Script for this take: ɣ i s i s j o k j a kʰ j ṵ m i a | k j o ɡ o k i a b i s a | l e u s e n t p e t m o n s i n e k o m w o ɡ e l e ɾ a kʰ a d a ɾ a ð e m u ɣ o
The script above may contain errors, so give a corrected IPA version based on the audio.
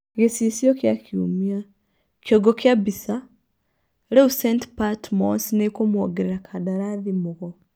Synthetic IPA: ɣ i s i s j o k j a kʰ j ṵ m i a | k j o ɡ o k j a b i s a | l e u s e n t p a t m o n s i n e k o m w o ɡ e ɾ e ɾ a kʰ a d a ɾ a ð i m u ɣ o

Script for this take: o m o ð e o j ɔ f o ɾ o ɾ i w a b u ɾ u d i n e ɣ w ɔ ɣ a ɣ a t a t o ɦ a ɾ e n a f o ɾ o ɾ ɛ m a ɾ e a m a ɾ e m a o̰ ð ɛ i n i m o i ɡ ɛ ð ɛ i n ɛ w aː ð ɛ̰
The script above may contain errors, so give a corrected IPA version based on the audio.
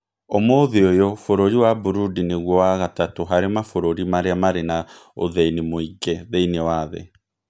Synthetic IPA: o m o ð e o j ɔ f o ɾ o ɾ i w a b u ɾ u d i n e ɣ w ɔ w a ɣ a t a t o ɦ a ɾ e m a f o ɾ o ɾ i m a ɾ e a m a ɾ e n a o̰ ð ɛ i n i m o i ɡ ɛ ð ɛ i n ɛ w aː ð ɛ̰

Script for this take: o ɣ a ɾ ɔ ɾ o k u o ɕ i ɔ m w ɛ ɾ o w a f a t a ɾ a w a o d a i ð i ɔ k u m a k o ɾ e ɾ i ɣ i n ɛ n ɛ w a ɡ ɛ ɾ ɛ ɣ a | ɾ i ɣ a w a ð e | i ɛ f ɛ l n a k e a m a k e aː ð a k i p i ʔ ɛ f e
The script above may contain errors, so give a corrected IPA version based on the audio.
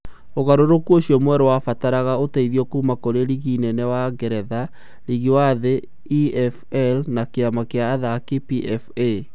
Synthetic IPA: o ɣ a ɾ o ɾ o k u o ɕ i ɔ m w ɛ ɾ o w a f a t a ɾ a ɣ a o t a i ð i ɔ k u m a k o ɾ e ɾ i ɣ i n ɛ n ɛ w a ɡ ɛ ɾ ɛ ð a | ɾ i ɣ i w a ð e | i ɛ f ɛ l n a k e a m a k e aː ð a k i p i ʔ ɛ f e

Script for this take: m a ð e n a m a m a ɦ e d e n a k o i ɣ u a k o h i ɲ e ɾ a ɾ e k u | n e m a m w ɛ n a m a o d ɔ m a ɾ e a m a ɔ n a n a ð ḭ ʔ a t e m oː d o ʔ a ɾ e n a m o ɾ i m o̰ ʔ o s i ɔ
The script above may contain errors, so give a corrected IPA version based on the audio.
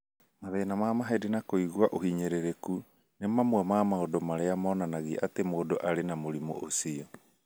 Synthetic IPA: m a ð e n a m a m a ɦ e d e n a k o i ɣ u a ʔ o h i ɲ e ɾ e ɾ e k u | n e m a m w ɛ m a m a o d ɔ m a ɾ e a m a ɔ n a n a ɣ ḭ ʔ a t e m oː d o ʔ a ɾ e n a m o ɾ i m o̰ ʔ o s i ɔ

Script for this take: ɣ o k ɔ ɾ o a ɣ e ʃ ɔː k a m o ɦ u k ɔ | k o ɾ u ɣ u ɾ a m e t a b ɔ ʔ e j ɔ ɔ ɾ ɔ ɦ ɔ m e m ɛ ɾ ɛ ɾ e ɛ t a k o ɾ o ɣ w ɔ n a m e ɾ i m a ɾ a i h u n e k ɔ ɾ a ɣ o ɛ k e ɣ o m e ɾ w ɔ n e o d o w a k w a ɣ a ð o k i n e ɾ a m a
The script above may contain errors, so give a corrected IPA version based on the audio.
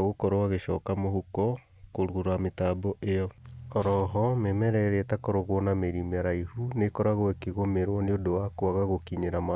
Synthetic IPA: ɣ o k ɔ ɾ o a ɣ e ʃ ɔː k a m o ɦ u k ɔ | k o ɾ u ɣ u ɾ a m e t a b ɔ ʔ e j ɔ ɔ ɾ ɔ ɦ ɔ m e m ɛ ɾ ɛ ɾ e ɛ t a k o ɾ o ɣ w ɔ n a m e ɾ i m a ɾ a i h u n e k ɔ ɾ a ɣ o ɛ k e ɣ o m e ɾ w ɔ n e o d o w a k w a ɣ a ɣ o k i ɲ e ɾ a m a

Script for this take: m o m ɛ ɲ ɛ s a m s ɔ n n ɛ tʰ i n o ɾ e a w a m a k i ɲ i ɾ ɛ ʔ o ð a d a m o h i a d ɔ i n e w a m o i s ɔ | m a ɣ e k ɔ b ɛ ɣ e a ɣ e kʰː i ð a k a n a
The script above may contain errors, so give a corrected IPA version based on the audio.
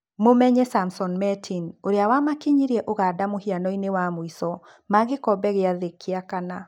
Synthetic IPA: m o m ɛ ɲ ɛ s a m s ɔ n m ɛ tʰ i n o ɾ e a w a m a k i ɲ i ɾ ɛ ʔ o ɣ a d a m o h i a n ɔ i n e w a m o i s ɔ | m a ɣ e k ɔ b ɛ ɣ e a ð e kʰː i a k a n a

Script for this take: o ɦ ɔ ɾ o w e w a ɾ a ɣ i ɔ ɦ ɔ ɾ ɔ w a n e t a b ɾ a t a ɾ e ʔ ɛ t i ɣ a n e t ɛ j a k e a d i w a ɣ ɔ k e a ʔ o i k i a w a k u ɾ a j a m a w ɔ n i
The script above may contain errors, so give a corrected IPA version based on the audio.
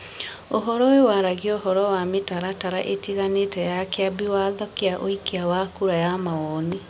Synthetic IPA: o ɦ ɔ ɾ ɔ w e w a ɾ a ɣ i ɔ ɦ ɔ ɾ ɔ w a m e t a ɾ a t a ɾ a ʔ e t i ɣ a n e t ɛ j a k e a b i w a ð ɔ k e a ʔ o i k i a w a k u ɾ a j a m a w ɔ n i

